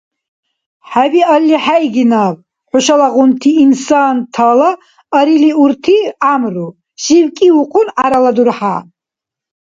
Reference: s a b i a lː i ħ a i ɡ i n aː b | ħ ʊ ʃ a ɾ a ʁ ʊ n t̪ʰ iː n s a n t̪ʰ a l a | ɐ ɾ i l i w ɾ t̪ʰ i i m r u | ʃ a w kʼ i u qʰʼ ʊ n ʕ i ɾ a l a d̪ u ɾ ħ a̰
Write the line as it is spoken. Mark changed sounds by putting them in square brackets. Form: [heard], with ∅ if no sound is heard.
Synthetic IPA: [ħ] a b i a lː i ħ a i ɡ i n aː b | ħ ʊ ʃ a [l] a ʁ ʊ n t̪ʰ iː n s a n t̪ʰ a l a | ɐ ɾ i l i [u] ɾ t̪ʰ i [a] m r u | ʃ [i] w kʼ i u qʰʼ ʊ n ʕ [a] ɾ a l a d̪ u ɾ ħ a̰

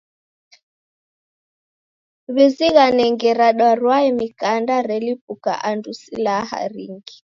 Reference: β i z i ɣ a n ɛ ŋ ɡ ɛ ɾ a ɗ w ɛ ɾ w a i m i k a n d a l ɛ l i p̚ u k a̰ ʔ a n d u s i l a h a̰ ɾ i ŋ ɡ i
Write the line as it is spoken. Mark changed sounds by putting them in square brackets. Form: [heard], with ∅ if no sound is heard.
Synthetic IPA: β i z i ɣ a n ɛ ŋ ɡ ɛ ɾ a ɗ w [a] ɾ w a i m i k a n d a [ɾ] ɛ l i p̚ u k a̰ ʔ a n d u s i l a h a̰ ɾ i ŋ ɡ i

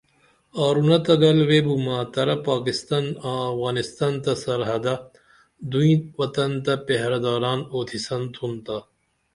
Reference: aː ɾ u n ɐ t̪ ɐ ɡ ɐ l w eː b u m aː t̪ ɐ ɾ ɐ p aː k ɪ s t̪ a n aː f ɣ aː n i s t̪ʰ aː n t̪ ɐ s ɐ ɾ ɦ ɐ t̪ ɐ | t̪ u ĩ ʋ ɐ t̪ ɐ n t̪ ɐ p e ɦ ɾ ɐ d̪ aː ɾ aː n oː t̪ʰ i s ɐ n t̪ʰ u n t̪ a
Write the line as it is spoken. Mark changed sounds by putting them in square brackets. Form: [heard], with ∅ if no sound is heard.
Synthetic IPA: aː ɾ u n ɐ t̪ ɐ ɡ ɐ l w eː b u m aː t̪ ɐ ɾ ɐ p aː k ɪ s t̪ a n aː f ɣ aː n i s [t̪] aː n t̪ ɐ s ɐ ɾ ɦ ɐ [d̪] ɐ | [d̪] u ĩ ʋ ɐ t̪ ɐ n t̪ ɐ p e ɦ ɾ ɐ d̪ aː ɾ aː n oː t̪ʰ i s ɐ n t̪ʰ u n t̪ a

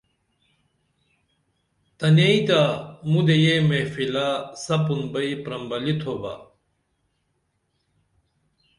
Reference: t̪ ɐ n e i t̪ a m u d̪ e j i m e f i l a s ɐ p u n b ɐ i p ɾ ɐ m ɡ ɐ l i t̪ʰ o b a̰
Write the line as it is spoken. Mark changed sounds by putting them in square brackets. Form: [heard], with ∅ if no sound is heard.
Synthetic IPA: t̪ ɐ n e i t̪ a m u d̪ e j [e] m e f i l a s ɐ p u n b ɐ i p ɾ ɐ m [b] ɐ l i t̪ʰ o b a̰

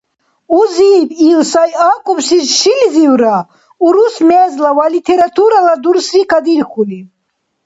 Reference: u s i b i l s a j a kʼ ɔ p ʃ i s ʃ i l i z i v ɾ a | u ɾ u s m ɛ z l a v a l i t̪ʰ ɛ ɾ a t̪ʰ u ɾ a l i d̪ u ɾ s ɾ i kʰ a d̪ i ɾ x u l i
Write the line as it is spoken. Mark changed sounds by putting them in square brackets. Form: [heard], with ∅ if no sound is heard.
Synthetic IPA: u [z] i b i l s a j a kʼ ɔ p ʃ i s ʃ i l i z i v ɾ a | u ɾ u s m ɛ z l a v a l i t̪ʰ ɛ ɾ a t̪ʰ u ɾ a l [a] d̪ u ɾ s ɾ i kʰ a d̪ i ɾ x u l i

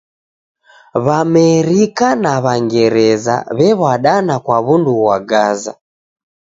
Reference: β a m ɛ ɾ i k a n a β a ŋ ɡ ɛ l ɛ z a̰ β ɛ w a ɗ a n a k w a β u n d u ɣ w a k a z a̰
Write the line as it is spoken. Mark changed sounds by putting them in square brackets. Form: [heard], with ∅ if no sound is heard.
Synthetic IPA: β a m ɛ ɾ i k a n a β a ŋ ɡ ɛ [ɾ] ɛ z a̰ β ɛ [β] a ɗ a n a k w a β u n d u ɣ w a [ɡ] a z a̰

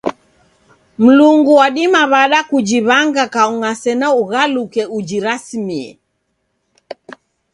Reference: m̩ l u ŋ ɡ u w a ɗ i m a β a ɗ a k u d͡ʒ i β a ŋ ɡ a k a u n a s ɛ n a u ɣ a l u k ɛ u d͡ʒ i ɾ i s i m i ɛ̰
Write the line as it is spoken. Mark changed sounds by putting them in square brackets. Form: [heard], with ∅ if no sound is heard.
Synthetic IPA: m̩ l u ŋ ɡ u w a ɗ i m a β a ɗ a k u d͡ʒ i β a ŋ ɡ a k a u [ŋ] a s ɛ n a u ɣ a l u k ɛ u d͡ʒ i ɾ [a] s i m i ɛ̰

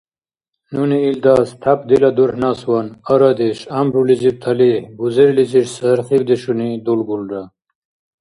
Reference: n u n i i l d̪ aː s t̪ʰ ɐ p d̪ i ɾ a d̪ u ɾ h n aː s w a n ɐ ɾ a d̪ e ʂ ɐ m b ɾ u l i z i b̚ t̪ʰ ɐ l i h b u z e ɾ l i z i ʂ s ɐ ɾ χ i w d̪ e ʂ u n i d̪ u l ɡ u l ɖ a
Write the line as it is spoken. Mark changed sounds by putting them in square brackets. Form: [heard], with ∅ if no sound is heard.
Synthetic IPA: n u n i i l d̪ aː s t̪ʰ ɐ p d̪ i [l] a d̪ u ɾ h n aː s w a n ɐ ɾ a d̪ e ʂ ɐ m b ɾ u l i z i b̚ t̪ʰ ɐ l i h b u z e ɾ l i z i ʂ s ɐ ɾ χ i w d̪ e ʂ u n i d̪ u l ɡ u l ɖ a

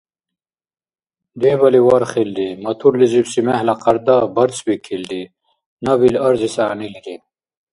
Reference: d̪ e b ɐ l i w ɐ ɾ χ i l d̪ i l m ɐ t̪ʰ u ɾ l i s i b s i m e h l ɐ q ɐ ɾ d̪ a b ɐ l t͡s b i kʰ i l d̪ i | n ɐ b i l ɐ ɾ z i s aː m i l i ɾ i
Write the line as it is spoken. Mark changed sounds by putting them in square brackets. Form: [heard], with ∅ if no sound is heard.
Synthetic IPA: d̪ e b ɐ l i w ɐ ɾ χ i l d̪ i [∅] m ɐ t̪ʰ u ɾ l i [z] i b s i m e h l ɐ q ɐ ɾ d̪ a b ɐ [ɾ] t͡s b i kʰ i l d̪ i | n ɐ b i l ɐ ɾ z i s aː [n] i l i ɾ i

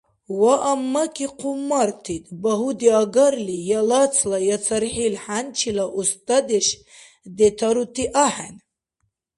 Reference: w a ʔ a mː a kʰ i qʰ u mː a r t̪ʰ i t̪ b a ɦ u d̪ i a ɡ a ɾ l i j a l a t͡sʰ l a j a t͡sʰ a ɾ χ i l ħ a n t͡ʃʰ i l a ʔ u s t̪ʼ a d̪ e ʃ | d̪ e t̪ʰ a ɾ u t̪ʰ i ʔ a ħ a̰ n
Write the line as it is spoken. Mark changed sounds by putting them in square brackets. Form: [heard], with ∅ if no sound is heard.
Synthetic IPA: w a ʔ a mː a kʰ i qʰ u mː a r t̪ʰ i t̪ b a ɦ u d̪ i a ɡ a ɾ l i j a l a t͡sʰ l a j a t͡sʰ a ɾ [ħ] i l ħ a n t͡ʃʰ i l a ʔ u s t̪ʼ a d̪ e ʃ | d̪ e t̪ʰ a ɾ u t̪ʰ i ʔ a ħ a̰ n

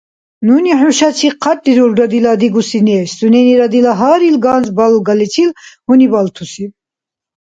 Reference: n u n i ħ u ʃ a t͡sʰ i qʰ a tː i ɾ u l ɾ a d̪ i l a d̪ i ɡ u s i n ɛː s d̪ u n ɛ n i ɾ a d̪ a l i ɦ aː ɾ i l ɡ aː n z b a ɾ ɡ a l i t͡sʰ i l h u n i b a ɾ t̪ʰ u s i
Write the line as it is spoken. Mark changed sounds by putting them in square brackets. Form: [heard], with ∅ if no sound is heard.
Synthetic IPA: n u n i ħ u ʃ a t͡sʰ i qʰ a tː i ɾ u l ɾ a d̪ i l a d̪ i ɡ u s i n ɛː s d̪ u n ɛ n i ɾ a d̪ [i] l [a] ɦ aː ɾ i l ɡ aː n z b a [l] ɡ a l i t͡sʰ i l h u n i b a [l] t̪ʰ u s i

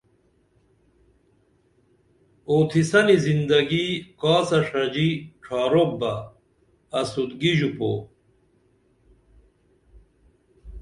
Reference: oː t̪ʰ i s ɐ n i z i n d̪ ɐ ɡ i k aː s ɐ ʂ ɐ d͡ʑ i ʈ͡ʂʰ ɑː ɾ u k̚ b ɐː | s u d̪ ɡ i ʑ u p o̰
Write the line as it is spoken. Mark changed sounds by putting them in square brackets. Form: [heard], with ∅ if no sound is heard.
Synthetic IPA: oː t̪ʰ i s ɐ n i z i n d̪ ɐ ɡ i k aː s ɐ ʂ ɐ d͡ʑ i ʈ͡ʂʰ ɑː ɾ [o] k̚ b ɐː | s u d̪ ɡ i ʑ u p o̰

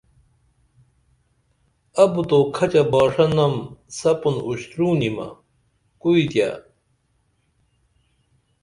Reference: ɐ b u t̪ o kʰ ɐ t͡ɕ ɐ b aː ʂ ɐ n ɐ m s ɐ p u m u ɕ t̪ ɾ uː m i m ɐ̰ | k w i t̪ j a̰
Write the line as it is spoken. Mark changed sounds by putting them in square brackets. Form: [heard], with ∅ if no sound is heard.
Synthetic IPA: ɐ b u t̪ o kʰ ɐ t͡ɕ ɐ b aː ʂ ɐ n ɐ m s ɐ p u [n] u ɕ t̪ ɾ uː [n] i m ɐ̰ | k [u] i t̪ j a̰

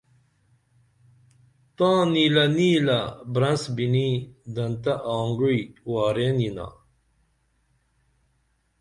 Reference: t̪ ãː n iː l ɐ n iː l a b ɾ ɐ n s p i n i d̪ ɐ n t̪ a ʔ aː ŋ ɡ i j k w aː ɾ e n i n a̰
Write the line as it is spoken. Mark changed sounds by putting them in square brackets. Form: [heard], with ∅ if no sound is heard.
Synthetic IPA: t̪ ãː n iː l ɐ n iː l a b ɾ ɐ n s [b] i n i d̪ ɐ n t̪ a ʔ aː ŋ ɡ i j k w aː ɾ e n i n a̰

